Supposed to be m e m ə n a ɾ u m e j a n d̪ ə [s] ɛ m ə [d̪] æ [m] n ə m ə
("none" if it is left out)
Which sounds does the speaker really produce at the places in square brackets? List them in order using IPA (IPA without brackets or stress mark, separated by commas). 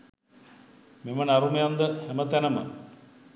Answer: h, t̪, none